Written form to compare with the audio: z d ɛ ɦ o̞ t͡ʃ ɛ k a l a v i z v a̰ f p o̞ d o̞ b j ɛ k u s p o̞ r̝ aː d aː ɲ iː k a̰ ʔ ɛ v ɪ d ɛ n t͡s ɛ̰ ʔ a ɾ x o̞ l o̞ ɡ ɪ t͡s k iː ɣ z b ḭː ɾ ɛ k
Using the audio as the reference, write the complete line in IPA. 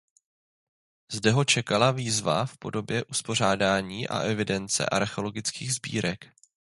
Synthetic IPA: z d ɛ ɦ o̞ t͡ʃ ɛ k a l a v iː z v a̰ f p o̞ d o̞ b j ɛ ʔ u s p o̞ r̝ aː d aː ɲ iː ʔ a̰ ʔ ɛ v ɪ d ɛ n t͡s ɛ̰ ʔ a ɾ x o̞ l o̞ ɡ ɪ t͡s k iː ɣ z b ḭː ɾ ɛ k